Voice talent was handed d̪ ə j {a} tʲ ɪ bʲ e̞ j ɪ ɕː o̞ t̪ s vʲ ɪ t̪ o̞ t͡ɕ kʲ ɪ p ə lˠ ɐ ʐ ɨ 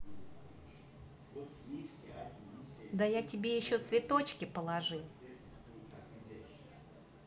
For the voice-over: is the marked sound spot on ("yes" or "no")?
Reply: yes